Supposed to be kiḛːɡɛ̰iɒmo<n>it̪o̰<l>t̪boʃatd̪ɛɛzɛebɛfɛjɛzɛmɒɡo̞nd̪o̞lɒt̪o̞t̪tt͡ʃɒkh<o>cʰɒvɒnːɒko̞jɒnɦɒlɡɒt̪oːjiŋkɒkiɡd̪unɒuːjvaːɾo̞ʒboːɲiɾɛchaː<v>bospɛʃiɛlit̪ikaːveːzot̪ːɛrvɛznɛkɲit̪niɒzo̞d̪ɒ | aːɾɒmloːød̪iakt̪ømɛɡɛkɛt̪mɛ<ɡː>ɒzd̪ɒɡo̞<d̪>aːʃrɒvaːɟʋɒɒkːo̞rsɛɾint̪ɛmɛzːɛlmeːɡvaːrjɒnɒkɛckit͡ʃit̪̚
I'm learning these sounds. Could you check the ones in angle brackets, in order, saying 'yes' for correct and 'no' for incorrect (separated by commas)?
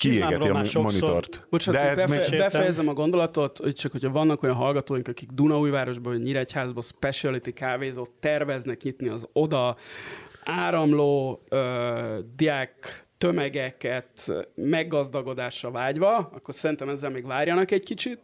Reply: yes, no, yes, no, yes, yes